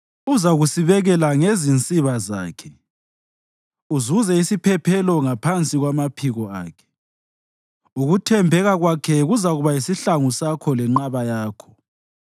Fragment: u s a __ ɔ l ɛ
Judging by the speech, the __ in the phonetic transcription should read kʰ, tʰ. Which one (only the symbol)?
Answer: kʰ